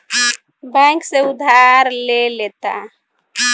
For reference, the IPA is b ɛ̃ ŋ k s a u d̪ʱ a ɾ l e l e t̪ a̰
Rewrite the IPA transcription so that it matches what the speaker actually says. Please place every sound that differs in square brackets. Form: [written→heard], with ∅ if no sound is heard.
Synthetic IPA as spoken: b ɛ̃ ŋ k s [a→e] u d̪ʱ a ɾ l e l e t̪ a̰